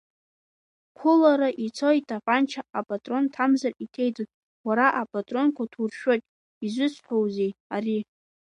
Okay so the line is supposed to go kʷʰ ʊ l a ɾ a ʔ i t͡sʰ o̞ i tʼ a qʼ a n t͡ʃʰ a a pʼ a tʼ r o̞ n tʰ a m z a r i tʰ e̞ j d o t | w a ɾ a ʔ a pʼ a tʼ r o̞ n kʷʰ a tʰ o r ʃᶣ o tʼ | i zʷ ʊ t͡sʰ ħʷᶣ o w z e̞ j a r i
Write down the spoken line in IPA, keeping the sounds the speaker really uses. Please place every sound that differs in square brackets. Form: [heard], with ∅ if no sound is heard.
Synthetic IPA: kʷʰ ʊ l a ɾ a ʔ i t͡sʰ o̞ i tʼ a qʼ a n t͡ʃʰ a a pʼ a tʼ r o̞ n tʰ a m z a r i tʰ e̞ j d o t | w a ɾ a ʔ a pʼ a tʼ r o̞ n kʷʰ a tʰ [u] r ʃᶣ o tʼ | i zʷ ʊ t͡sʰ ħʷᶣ o w z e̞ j a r i

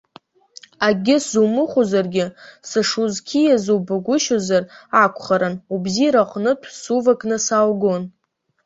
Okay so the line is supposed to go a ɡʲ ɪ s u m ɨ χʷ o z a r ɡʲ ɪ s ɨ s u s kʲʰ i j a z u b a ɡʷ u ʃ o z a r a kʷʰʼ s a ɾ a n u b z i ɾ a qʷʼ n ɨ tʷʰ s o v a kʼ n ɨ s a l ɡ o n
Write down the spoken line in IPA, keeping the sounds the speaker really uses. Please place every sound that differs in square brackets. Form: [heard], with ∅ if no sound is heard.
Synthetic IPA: a ɡʲ ɪ s u m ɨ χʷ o z a r ɡʲ ɪ s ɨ [ʂ] u [z] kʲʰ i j a z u b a ɡʷ [ʊ] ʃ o z a r a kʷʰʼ [χ] a ɾ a n u b z i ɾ a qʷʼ n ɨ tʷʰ s [u] v a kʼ n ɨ s a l ɡ o n

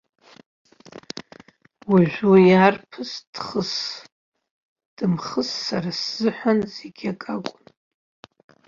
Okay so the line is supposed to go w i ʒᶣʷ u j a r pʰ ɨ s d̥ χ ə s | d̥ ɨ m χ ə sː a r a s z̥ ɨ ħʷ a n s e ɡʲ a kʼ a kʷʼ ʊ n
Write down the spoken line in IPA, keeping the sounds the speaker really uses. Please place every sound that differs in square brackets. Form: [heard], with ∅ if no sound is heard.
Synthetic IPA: w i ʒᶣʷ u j a r pʰ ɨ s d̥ χ ə s | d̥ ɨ m χ ə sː a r a s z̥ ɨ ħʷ a n [z] e ɡʲ a kʼ a kʷʼ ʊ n

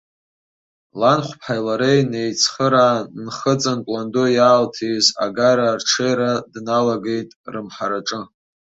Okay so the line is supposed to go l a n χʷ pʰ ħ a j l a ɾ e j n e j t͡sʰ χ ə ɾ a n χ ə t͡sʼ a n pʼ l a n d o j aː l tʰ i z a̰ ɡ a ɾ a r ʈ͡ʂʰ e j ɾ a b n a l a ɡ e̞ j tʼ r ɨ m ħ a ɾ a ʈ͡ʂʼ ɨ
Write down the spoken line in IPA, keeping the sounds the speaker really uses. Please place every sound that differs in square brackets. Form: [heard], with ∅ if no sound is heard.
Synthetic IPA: l a n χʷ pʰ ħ a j l a ɾ e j n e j t͡sʰ χ ə ɾ a n χ ə t͡sʼ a n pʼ l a n d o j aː l tʰ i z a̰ ɡ a ɾ a r ʈ͡ʂʰ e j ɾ a [d] n a l a ɡ e̞ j tʼ r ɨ m ħ a ɾ a ʈ͡ʂʼ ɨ

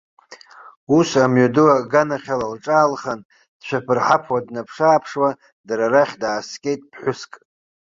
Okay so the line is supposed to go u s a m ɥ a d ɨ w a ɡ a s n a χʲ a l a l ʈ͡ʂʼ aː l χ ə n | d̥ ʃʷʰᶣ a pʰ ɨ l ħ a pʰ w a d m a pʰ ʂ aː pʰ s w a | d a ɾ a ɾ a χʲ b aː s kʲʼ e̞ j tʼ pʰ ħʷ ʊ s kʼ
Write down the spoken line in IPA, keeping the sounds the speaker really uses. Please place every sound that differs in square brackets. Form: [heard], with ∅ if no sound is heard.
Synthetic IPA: u s a m ɥ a d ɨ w a ɡ a [∅] n a χʲ a l a l ʈ͡ʂʼ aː l χ [a] n | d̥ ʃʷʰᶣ a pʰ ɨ [r] ħ a pʰ w a d [n] a pʰ ʂ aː pʰ [ʂ] w a | d a ɾ a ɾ a χʲ [d] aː s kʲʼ e̞ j tʼ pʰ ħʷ ʊ s kʼ

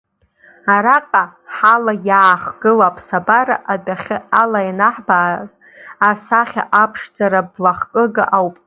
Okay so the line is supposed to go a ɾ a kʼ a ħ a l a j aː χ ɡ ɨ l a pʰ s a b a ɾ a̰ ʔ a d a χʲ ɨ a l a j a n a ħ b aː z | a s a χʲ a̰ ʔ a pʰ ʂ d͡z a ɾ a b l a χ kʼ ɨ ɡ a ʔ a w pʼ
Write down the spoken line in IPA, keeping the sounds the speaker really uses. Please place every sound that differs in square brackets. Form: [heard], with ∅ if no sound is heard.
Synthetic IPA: a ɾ a [qʼ] a ħ a l a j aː χ ɡ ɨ l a pʰ s a b a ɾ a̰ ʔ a d a χʲ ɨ a l a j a n a ħ b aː z | a s a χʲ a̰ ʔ a pʰ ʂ d͡z a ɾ a b l a χ kʼ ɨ ɡ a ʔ a w pʼ

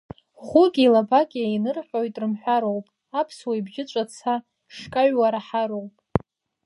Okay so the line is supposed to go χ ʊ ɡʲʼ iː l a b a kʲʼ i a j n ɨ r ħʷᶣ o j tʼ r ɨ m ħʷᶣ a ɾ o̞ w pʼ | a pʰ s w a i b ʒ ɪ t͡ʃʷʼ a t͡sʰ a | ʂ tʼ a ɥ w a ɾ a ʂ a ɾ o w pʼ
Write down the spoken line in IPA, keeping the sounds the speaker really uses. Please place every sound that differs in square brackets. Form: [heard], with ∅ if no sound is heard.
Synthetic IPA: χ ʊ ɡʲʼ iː l a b a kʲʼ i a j n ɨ r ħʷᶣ o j tʼ r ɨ m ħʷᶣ a ɾ o̞ w pʼ | a pʰ s w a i b ʒ ɪ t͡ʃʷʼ a t͡sʰ a | ʂ [kʼ] a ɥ w a ɾ a [ħ] a ɾ o w pʼ

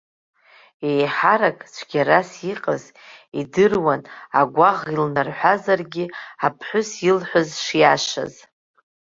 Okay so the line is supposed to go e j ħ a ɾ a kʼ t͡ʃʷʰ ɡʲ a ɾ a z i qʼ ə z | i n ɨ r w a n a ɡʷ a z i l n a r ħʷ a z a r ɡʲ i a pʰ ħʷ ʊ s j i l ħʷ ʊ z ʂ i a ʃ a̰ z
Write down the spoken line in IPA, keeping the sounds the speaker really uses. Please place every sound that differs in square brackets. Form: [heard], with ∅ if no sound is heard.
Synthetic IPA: e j ħ a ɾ a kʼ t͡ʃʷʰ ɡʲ a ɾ a [s] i qʼ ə z | i [d] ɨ r w a n a ɡʷ a [ʁ] i l n a r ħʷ a z a r ɡʲ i a pʰ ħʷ ʊ s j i l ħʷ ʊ z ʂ [j] a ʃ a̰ z

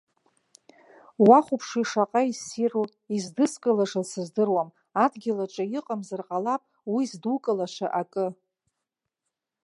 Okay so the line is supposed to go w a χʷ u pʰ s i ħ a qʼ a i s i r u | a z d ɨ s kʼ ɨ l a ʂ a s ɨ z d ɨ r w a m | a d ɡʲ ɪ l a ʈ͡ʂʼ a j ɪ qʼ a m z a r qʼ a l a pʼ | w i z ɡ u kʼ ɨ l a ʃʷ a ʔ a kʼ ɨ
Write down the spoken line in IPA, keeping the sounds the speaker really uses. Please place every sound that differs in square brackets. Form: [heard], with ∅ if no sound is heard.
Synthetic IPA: w a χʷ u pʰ [ʂ] i [ʂ] a qʼ a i s i r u | [i] z d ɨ s kʼ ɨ l a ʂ a s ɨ z d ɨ r w a m | a d ɡʲ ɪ l a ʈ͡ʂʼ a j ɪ qʼ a m z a r qʼ a l a pʼ | w i z [d] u kʼ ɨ l a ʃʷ a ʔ a kʼ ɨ

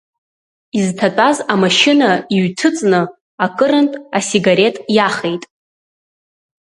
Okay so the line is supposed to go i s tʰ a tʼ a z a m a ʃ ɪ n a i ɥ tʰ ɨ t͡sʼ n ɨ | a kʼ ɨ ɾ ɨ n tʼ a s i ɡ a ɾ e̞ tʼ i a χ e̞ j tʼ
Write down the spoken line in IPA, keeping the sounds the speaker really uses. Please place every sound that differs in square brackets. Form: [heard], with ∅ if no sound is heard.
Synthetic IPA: i [z] tʰ a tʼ a z a m a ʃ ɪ n a i ɥ tʰ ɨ t͡sʼ n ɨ | a kʼ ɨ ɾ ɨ n tʼ a s i ɡ a ɾ e̞ tʼ [j] a χ e̞ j tʼ

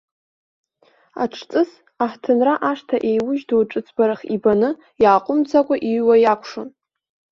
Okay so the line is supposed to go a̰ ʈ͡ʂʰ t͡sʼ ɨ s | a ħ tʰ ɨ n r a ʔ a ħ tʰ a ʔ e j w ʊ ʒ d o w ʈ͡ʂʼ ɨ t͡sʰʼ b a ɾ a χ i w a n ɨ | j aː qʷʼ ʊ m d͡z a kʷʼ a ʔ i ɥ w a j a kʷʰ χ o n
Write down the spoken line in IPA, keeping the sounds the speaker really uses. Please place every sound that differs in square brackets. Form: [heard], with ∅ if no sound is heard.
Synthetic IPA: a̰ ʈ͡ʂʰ t͡sʼ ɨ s | a ħ tʰ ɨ n r a ʔ a [ʂ] tʰ a ʔ e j w ʊ ʒ d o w ʈ͡ʂʼ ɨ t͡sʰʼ b a ɾ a χ i [b] a n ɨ | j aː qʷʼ ʊ m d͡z a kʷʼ a ʔ i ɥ w a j a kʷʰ [ʂ] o n

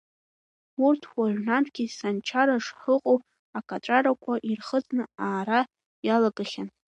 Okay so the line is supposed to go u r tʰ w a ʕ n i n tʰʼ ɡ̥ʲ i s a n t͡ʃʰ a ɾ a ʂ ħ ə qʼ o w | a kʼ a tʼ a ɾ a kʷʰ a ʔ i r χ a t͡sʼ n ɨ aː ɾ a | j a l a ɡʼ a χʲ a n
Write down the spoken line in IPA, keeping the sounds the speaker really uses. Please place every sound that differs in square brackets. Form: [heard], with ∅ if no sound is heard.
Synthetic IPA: u r tʰ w a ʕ n [a] n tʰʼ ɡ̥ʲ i s a n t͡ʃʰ a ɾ a ʂ ħ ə qʼ o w | a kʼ a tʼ a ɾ a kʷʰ a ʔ i r χ [ə] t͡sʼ n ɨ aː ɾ a | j a l a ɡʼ a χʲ a n

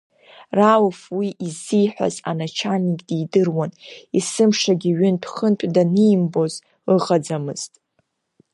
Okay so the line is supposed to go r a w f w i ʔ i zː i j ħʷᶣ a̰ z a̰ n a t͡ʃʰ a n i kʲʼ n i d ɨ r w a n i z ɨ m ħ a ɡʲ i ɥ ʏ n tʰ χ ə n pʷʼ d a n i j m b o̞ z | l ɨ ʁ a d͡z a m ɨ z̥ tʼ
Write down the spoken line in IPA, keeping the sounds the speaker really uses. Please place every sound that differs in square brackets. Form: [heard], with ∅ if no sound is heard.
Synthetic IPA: r a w f w i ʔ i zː i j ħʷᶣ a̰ z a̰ n a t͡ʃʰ a n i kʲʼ [d] i d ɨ r w a n i [s] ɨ m [ʂ] a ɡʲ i ɥ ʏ n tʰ χ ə n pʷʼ d a n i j m b o̞ z | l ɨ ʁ a d͡z a m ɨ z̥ tʼ

